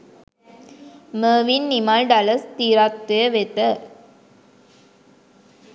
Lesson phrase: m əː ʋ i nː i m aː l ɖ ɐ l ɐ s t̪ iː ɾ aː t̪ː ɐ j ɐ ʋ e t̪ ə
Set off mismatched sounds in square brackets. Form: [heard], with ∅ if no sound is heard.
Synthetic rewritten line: m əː ʋ i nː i m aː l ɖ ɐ l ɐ s t̪ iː ɾ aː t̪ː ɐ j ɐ ʋ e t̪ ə